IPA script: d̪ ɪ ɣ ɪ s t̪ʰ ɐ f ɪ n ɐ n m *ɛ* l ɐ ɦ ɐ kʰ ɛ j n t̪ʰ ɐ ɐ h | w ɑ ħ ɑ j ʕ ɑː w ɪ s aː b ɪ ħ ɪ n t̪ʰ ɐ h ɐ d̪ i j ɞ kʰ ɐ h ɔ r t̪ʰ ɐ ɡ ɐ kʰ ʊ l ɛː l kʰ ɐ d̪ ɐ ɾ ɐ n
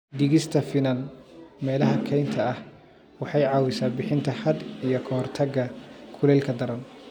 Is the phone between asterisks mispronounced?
yes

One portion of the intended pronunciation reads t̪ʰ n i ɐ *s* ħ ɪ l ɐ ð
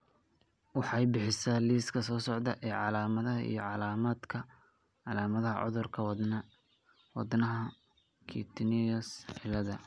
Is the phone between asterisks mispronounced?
no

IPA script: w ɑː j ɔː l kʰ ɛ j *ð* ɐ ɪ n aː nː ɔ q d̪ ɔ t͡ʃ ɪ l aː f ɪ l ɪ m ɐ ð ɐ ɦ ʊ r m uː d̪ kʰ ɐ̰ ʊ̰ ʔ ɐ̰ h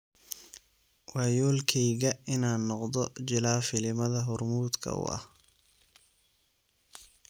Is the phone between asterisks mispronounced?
yes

